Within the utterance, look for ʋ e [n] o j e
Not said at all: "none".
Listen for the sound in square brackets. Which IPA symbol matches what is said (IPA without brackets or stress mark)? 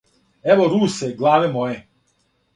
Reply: m